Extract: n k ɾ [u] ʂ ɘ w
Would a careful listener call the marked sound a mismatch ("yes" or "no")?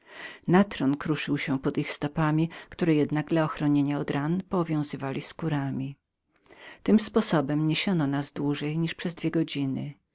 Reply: no